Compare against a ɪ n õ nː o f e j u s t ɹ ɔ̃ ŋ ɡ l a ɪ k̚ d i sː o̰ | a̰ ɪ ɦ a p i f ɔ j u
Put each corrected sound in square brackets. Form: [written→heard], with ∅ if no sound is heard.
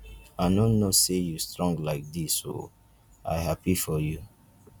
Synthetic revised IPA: a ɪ n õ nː o [f→s] e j u s t ɹ ɔ̃ ŋ ɡ l a ɪ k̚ d i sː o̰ | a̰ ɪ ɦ a p i f ɔ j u